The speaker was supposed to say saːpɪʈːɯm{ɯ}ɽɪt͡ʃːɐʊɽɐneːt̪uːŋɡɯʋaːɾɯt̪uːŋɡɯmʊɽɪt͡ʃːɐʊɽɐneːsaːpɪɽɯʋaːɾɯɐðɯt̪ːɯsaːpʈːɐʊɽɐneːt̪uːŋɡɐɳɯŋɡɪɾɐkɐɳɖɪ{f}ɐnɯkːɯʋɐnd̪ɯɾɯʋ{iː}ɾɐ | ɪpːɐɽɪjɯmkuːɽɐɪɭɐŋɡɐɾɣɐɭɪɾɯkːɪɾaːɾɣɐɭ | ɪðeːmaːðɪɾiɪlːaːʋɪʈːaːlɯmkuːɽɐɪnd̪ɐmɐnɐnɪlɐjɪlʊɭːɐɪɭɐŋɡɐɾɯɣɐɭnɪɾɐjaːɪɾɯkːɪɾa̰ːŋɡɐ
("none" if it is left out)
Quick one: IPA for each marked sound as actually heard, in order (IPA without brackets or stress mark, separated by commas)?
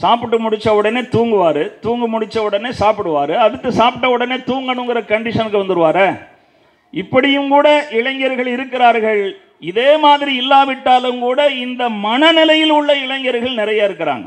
ʊ, ʂ, aː